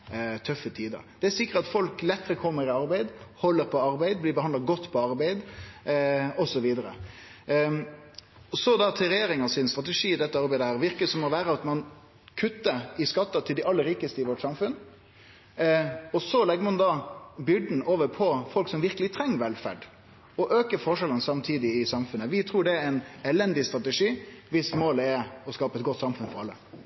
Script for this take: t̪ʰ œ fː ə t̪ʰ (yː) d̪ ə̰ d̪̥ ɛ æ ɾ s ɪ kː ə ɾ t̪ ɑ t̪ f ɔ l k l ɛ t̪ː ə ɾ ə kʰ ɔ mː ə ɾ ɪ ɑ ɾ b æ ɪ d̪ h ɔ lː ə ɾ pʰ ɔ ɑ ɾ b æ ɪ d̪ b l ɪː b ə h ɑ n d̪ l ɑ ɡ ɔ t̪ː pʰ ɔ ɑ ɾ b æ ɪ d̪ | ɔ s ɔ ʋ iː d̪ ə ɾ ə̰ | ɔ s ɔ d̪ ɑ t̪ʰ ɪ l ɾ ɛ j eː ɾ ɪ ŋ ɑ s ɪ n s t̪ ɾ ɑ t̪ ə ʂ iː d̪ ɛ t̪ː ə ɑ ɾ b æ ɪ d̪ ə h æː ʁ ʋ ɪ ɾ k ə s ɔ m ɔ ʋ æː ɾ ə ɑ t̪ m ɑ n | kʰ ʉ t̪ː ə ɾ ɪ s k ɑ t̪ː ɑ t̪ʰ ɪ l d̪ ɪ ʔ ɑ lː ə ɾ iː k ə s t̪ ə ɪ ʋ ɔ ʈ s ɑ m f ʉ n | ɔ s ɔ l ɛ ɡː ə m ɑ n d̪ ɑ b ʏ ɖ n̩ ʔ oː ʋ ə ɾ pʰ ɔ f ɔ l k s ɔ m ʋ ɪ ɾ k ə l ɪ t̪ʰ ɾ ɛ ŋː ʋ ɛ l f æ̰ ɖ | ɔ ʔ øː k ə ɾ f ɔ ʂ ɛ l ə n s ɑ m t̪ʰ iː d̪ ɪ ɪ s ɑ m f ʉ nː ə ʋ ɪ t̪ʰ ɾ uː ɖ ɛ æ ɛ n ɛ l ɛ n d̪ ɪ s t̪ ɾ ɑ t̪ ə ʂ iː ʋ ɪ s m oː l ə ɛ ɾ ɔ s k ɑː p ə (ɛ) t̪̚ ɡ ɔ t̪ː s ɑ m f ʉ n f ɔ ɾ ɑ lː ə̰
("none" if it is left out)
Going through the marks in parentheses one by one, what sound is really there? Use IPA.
iː, ɛ

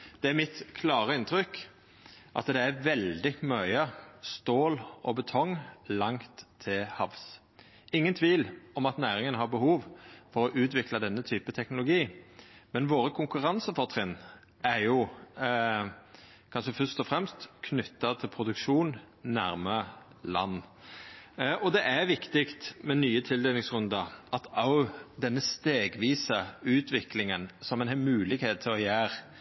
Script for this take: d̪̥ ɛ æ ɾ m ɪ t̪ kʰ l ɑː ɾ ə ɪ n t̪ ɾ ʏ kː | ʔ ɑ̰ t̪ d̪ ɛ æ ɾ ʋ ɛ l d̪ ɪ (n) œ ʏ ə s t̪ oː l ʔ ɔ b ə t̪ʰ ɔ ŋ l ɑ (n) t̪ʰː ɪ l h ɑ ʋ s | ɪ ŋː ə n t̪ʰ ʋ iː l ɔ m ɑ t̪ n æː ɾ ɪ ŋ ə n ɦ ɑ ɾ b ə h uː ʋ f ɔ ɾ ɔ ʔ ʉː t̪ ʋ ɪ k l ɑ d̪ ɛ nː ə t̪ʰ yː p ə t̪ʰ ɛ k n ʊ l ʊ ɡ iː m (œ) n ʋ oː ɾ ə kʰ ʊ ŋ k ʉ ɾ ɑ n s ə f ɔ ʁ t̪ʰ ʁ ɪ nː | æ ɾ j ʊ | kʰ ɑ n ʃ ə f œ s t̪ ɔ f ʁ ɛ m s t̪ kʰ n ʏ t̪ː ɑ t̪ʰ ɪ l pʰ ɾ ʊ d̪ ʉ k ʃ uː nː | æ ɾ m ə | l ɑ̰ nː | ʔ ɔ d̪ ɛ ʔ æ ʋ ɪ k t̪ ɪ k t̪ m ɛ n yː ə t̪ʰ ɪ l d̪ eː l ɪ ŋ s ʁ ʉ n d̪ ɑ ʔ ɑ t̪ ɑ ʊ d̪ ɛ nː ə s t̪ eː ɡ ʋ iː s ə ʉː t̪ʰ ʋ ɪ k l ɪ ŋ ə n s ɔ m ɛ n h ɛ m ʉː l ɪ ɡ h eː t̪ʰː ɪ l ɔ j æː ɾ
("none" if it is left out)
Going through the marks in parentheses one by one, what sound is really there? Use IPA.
m, ŋ, ɛ

